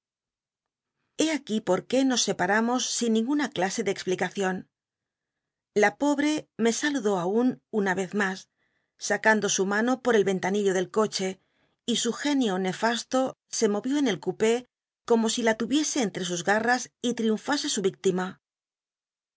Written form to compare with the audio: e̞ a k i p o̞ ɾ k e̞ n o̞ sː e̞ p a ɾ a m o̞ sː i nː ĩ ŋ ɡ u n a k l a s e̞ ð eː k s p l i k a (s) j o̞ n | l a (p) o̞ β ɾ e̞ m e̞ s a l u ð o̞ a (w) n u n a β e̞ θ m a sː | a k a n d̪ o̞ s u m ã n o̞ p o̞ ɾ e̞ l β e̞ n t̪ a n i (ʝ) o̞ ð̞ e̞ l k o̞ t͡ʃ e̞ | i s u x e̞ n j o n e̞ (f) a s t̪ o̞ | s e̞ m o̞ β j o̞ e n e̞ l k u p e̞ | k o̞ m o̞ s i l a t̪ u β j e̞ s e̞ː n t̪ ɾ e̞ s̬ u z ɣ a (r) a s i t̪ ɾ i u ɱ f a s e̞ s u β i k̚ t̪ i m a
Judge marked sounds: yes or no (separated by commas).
no, yes, no, no, yes, yes